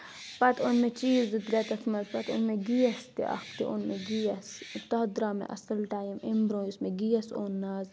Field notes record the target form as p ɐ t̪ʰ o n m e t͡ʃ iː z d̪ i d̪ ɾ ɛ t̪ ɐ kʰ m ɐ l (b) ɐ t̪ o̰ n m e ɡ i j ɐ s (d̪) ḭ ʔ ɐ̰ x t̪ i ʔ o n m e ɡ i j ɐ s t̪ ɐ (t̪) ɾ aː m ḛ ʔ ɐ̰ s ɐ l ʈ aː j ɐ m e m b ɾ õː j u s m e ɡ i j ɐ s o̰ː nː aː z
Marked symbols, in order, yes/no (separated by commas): no, no, no